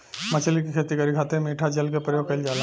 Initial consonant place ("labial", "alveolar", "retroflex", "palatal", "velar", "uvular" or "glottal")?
labial